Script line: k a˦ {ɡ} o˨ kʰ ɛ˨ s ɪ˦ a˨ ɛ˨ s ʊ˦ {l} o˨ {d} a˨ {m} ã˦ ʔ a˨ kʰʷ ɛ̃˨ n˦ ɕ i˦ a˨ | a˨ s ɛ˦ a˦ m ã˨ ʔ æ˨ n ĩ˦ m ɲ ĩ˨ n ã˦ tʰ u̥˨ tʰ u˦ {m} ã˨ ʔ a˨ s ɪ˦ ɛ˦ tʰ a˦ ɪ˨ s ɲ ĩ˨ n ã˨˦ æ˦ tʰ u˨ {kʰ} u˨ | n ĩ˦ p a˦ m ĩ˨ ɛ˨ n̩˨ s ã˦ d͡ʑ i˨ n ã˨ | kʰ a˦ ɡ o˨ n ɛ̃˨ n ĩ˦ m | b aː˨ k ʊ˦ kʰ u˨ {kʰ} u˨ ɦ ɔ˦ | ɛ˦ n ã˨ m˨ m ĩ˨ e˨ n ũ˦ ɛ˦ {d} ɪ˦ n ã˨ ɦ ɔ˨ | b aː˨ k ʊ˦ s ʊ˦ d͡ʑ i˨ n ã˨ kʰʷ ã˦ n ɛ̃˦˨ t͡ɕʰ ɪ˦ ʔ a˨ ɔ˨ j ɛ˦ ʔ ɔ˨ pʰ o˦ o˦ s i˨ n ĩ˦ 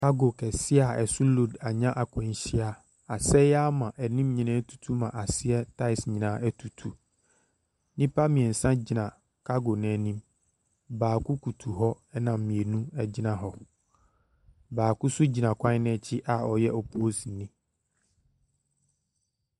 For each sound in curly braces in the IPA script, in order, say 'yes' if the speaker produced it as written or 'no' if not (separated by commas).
yes, yes, yes, no, yes, no, no, no